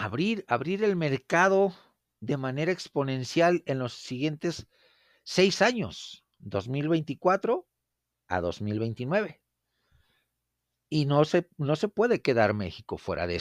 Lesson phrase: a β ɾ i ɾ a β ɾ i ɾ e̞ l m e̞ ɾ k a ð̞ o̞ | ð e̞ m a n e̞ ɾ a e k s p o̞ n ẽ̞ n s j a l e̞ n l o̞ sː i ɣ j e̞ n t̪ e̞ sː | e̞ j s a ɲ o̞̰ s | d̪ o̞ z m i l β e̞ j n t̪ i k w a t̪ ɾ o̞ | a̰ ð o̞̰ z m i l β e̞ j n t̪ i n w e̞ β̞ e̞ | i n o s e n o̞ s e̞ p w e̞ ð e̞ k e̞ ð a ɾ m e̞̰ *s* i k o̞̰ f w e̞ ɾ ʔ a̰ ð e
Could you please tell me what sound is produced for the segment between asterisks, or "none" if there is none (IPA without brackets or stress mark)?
x